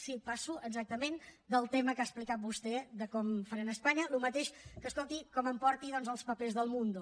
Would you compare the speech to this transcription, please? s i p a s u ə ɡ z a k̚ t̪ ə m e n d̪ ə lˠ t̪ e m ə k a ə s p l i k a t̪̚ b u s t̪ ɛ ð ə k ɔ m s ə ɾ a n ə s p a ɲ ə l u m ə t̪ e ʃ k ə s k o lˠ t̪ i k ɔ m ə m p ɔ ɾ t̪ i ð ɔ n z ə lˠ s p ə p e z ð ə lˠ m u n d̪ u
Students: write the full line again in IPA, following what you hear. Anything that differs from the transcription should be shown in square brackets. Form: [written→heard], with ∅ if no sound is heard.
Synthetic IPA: s i p a s u ə ɡ z a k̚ t̪ ə m e n d̪ ə lˠ t̪ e m ə k a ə s p l i k a t̪̚ b u s t̪ ɛ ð ə k ɔ m [s→f] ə ɾ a n ə s p a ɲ ə l u m ə t̪ e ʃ k ə s k o lˠ t̪ i k ɔ m ə m p ɔ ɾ t̪ i ð ɔ n z ə lˠ s p ə p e z ð ə lˠ m u n d̪ u